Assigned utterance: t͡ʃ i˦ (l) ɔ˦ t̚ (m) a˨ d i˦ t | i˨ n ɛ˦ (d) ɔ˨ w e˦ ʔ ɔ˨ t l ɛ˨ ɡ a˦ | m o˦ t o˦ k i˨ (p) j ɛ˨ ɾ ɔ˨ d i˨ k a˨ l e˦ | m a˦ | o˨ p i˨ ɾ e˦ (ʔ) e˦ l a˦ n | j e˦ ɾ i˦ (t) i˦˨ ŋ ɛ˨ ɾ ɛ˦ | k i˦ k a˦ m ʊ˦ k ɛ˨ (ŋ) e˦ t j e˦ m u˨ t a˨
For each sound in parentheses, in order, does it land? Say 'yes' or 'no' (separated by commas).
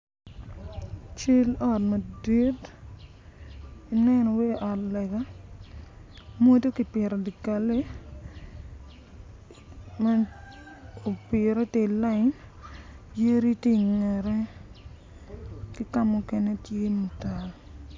yes, yes, no, yes, no, yes, no